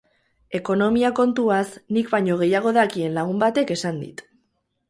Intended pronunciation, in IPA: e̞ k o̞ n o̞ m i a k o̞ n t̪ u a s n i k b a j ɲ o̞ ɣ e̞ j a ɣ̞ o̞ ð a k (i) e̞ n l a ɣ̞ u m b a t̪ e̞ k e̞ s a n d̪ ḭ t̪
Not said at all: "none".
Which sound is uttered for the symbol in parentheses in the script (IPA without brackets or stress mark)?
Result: i